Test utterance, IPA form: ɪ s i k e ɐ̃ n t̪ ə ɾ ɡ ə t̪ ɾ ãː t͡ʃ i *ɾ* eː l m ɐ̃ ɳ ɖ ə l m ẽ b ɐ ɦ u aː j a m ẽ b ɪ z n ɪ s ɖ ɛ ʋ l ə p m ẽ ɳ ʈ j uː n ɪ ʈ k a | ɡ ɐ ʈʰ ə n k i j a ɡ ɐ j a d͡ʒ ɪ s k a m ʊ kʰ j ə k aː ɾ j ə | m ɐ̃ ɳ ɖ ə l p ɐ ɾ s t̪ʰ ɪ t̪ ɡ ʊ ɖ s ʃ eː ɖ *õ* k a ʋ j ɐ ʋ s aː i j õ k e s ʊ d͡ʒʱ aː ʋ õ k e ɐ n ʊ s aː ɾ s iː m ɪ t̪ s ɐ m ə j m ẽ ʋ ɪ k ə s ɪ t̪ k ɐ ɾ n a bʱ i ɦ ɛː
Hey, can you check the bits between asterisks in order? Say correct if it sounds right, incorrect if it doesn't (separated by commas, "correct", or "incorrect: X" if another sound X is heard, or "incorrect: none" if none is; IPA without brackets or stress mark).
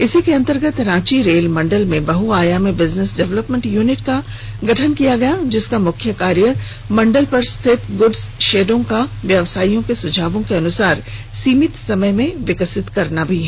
correct, correct